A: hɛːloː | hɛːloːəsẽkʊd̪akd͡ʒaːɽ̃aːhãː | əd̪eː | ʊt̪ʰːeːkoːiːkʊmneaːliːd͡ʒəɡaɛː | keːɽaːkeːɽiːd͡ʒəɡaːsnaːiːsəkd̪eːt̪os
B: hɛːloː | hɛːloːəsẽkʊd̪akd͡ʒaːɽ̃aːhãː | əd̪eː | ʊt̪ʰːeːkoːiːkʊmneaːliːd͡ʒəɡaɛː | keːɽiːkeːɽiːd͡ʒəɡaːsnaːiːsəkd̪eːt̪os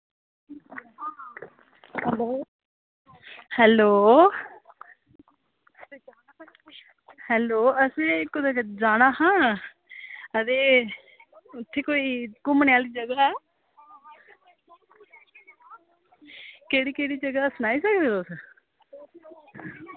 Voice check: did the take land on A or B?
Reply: B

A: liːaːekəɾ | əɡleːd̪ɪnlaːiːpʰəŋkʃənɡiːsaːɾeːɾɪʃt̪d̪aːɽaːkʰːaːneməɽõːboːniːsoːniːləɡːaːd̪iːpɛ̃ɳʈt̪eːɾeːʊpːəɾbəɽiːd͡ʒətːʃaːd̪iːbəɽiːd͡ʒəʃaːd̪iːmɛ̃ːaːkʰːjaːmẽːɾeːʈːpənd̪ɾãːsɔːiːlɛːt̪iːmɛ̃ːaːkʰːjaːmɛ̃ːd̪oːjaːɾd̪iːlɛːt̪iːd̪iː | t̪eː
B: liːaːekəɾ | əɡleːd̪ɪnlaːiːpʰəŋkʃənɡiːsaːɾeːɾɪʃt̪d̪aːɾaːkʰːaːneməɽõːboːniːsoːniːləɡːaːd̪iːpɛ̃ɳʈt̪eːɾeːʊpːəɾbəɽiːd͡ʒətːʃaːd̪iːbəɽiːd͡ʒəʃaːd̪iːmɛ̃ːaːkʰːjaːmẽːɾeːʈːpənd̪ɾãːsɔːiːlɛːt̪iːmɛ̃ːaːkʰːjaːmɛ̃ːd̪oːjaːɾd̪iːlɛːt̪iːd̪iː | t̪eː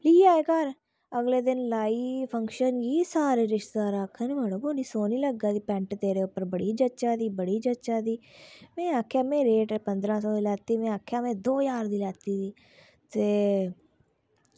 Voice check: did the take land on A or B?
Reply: B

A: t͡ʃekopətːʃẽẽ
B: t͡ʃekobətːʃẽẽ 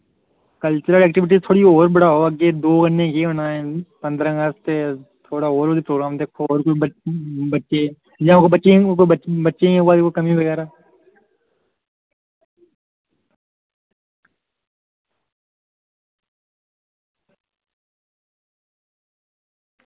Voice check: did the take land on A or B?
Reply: B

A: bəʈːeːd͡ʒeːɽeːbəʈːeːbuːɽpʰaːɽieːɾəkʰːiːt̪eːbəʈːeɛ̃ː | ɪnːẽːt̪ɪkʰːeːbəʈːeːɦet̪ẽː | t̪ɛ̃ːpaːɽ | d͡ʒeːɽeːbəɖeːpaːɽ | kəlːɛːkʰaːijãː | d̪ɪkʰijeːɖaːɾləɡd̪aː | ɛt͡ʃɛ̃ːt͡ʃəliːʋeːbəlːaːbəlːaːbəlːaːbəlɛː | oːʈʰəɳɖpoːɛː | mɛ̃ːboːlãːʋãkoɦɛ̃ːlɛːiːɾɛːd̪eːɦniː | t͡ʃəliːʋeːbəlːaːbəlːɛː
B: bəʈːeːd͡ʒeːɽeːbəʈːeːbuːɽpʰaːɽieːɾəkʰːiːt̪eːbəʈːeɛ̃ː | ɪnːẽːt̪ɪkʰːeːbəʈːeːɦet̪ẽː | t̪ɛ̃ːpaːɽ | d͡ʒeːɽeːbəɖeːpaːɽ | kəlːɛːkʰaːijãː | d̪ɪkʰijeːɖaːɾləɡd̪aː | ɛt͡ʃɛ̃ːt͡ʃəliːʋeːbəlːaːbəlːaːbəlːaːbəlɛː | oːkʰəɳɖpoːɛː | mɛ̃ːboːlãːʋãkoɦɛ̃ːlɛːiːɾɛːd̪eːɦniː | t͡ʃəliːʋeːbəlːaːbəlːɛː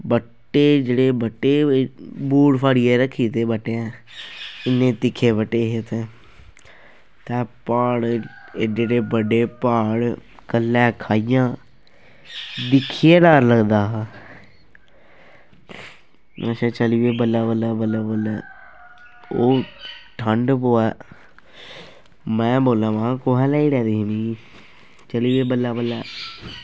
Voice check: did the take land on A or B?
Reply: A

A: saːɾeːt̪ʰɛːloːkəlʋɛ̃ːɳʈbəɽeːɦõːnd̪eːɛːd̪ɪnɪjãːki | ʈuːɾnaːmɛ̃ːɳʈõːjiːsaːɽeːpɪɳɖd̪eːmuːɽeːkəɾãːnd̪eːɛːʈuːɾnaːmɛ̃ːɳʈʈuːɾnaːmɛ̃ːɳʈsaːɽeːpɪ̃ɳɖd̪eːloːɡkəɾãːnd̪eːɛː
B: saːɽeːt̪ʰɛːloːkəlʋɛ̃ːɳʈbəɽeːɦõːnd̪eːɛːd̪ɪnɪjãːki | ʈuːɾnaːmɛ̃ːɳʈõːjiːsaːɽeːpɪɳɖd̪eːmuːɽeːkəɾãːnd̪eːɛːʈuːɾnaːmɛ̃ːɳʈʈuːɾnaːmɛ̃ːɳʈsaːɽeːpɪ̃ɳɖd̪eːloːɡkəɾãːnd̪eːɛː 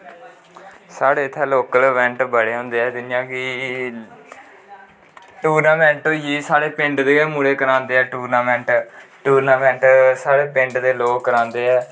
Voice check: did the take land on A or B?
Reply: B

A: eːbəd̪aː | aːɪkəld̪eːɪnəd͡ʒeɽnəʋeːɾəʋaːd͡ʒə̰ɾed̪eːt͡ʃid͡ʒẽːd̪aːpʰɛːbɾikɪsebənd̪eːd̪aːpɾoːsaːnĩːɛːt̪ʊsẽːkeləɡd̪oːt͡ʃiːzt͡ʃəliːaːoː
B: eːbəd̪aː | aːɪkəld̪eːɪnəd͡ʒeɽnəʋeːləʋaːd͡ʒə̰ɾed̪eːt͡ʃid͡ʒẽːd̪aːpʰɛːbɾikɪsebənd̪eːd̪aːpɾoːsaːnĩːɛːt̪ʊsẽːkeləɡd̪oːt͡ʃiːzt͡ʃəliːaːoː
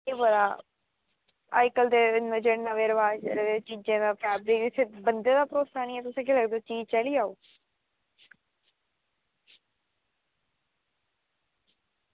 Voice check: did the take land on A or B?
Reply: A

